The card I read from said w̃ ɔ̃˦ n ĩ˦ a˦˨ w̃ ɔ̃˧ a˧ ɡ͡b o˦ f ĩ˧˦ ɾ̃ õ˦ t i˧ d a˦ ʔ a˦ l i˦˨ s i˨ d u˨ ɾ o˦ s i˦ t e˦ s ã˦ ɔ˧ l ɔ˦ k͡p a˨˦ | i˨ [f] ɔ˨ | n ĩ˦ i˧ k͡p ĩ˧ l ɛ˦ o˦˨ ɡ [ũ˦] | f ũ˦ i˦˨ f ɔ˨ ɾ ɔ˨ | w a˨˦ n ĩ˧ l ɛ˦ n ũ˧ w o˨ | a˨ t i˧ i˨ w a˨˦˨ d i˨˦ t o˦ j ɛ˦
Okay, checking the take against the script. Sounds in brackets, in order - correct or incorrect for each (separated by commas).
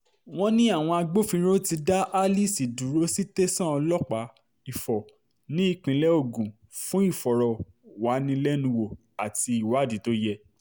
correct, incorrect